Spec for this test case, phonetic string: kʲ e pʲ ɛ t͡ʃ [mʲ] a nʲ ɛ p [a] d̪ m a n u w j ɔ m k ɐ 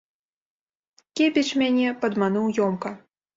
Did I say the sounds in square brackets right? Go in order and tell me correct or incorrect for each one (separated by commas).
correct, incorrect